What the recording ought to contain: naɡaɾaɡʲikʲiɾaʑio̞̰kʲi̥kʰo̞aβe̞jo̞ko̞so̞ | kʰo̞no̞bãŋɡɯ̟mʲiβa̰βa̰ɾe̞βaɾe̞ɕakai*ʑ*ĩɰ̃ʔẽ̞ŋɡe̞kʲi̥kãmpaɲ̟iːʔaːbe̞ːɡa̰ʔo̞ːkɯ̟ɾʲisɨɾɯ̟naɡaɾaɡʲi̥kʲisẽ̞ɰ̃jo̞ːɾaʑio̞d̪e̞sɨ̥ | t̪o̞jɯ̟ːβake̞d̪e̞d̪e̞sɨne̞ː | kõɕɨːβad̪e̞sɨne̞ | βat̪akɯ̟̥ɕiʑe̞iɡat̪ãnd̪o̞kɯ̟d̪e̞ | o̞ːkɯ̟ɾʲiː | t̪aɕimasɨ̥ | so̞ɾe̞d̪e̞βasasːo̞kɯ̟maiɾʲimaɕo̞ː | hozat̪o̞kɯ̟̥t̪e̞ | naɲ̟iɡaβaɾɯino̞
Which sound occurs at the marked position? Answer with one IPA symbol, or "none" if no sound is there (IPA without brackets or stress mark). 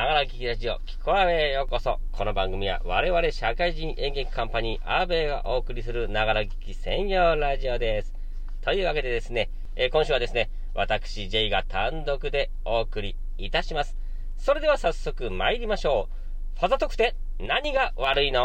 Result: ʑ